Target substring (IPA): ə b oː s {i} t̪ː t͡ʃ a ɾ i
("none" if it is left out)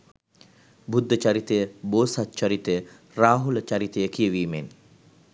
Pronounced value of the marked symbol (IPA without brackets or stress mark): a